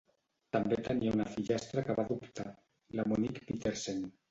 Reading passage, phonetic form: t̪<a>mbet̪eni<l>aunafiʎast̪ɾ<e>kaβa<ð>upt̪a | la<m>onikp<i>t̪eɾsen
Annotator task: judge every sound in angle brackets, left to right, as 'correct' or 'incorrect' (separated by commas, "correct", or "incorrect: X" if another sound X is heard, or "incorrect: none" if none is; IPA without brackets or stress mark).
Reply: correct, incorrect: none, incorrect: a, correct, correct, correct